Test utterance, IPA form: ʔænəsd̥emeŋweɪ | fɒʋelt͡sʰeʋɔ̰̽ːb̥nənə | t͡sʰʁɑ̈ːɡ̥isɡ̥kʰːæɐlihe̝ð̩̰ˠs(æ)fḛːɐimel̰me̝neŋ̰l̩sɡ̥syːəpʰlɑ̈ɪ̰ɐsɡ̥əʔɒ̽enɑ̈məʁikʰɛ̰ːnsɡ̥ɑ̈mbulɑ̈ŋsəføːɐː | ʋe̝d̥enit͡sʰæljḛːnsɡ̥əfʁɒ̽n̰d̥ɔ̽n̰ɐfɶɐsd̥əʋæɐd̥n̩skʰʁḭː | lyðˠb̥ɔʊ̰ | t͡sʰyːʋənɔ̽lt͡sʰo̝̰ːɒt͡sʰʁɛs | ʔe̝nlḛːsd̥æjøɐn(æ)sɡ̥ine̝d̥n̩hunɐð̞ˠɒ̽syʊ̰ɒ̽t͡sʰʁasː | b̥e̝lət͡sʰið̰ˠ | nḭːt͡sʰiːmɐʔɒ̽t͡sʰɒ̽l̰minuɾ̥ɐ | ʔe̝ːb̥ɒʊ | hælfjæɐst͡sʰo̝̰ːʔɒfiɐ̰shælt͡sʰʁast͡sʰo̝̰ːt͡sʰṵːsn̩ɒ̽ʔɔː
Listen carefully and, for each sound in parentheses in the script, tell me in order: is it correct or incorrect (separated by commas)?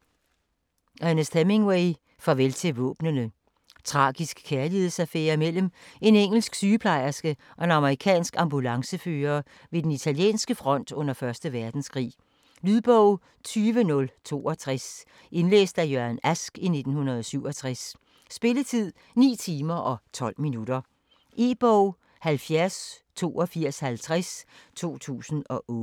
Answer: correct, correct